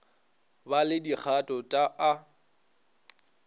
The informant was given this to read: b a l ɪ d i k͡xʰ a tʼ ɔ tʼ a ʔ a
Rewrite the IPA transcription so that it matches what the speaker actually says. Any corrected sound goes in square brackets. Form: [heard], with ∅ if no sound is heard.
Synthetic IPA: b a l ɪ d i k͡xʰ a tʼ ɔ tʼ a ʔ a